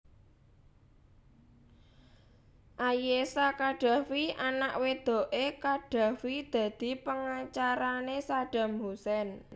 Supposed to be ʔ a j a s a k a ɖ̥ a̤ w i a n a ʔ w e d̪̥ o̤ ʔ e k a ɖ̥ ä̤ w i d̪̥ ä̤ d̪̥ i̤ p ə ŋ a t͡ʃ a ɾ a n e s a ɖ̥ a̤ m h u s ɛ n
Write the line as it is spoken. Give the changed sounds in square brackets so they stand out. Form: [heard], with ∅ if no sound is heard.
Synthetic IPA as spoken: ʔ a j [e] s a k a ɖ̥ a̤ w i a n a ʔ w e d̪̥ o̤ ʔ e k a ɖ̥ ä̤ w i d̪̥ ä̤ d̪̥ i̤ p ə ŋ a t͡ʃ a ɾ a n e s a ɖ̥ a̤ m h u s ɛ n